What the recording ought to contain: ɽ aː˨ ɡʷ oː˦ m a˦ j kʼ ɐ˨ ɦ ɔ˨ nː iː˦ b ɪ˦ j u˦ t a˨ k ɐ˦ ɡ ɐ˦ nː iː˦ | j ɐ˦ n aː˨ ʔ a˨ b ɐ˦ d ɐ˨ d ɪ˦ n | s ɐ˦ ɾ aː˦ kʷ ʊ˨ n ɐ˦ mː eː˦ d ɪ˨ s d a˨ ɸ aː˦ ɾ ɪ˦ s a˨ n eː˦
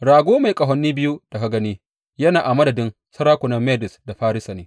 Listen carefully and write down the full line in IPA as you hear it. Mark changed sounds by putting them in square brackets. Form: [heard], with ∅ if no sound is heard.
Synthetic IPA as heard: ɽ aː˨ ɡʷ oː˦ m [a˨] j kʼ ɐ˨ ɦ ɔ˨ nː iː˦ b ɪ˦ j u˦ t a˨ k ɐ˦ ɡ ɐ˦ [n] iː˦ | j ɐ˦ n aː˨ ʔ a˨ [m] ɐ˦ d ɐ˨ d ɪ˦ n | s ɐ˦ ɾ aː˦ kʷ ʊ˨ n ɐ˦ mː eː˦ d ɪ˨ s d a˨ ɸ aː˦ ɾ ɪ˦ s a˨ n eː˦